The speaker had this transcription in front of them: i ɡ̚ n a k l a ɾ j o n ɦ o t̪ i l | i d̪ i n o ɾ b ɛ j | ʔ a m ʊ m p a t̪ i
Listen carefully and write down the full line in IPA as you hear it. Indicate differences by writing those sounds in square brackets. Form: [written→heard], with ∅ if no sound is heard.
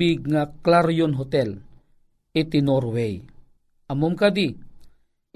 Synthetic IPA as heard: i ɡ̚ [n→ŋ] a k l a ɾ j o n ɦ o t̪ [i→ɛ] l | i [d̪→t̪] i n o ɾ [b→w] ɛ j | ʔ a m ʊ m [p→k] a [t̪→d̪] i